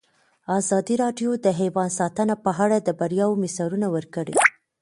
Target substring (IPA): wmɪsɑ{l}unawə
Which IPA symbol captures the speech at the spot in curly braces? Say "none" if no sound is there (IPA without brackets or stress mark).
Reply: ɾ